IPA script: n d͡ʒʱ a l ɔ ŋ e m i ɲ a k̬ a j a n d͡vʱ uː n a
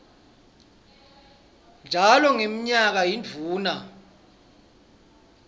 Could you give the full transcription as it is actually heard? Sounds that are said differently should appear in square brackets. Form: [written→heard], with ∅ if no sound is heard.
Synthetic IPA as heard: n d͡ʒʱ a l ɔ ŋ e m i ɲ a k̬ a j [a→i] n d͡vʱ uː n a